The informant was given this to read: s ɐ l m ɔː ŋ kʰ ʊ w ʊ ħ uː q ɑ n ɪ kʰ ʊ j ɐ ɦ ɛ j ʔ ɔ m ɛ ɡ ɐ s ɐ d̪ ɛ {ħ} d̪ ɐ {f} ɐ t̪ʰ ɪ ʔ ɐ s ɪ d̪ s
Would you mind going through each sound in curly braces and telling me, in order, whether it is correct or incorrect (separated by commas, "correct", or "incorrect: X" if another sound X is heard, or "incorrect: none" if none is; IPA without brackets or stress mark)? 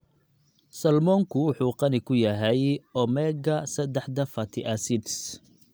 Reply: correct, correct